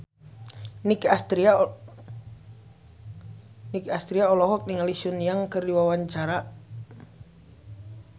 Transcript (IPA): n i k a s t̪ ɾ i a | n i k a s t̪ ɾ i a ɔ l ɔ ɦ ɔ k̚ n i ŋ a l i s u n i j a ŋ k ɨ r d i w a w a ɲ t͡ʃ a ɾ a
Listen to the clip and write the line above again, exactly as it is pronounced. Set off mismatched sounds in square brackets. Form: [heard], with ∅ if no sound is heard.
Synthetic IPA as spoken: n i k a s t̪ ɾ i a | n i k a s t̪ ɾ i a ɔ l ɔ ɦ ɔ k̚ n i ŋ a l i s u n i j a ŋ k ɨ r d i w a w a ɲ t͡ʃ a ɾ a